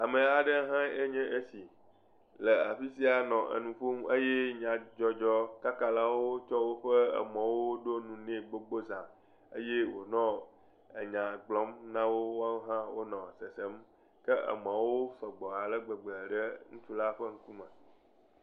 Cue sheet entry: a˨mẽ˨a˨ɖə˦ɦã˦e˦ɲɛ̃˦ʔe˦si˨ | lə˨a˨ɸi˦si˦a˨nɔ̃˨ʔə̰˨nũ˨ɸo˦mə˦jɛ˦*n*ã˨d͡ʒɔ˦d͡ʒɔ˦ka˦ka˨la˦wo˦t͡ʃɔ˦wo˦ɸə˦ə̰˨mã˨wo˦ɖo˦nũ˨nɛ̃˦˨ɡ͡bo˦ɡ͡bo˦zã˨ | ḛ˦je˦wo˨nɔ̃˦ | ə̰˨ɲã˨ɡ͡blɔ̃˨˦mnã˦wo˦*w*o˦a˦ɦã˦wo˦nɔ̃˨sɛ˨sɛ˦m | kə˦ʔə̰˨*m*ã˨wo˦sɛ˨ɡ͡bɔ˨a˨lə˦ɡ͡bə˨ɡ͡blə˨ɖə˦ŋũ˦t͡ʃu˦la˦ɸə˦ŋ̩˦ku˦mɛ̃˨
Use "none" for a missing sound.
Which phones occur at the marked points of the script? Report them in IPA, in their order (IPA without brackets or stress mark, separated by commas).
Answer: ɲ, w, m